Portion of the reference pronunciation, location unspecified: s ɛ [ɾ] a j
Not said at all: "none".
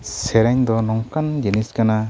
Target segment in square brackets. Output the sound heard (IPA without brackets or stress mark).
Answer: ɾ